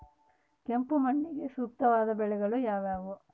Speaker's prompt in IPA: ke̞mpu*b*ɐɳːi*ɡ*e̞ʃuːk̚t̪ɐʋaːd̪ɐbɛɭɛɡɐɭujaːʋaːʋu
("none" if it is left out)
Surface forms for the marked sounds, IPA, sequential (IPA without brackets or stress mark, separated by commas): m, ɡ